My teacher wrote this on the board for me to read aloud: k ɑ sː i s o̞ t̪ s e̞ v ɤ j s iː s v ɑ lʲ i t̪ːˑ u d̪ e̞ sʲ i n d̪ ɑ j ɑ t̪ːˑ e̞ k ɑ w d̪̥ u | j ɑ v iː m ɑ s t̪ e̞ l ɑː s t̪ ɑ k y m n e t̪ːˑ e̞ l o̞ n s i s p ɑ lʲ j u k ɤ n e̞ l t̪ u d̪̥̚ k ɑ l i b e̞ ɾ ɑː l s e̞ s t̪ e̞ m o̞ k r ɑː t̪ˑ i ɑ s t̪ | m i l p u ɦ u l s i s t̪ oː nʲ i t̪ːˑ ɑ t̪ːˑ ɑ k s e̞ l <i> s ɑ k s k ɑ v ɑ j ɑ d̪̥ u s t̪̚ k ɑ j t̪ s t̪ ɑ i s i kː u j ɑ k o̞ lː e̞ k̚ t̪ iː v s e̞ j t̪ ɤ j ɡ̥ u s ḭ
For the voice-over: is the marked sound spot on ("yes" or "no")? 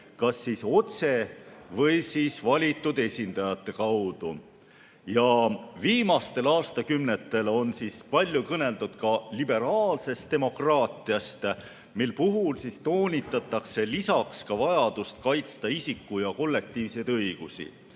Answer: yes